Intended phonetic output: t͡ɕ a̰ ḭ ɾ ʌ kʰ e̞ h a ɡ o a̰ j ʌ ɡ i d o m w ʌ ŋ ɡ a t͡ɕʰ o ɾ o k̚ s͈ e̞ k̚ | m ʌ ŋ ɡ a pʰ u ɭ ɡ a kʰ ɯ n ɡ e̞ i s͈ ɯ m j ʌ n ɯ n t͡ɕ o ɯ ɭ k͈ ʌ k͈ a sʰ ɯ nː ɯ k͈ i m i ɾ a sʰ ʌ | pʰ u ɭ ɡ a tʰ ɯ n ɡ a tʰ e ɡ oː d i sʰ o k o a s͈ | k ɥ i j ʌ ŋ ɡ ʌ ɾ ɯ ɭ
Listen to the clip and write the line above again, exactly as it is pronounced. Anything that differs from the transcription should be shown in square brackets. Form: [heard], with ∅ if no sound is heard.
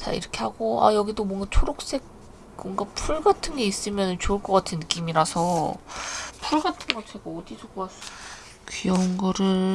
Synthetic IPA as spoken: t͡ɕ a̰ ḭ ɾ ʌ kʰ e̞ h a ɡ o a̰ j ʌ ɡ i d o m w ʌ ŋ ɡ a t͡ɕʰ o ɾ o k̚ s͈ e̞ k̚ | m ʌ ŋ ɡ a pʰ u ɭ ɡ a [tʰ] ɯ n ɡ e̞ i s͈ ɯ m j ʌ n ɯ n t͡ɕ o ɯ ɭ k͈ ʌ k͈ a [tʰ] ɯ nː ɯ k͈ i m i ɾ a sʰ ʌ | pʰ u ɭ ɡ a tʰ ɯ n ɡ [ʌ] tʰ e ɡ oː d i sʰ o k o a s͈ | k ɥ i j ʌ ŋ ɡ ʌ ɾ ɯ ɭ